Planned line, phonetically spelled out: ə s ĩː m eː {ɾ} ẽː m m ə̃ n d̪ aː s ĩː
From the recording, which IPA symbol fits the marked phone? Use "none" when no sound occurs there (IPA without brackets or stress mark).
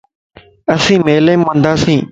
l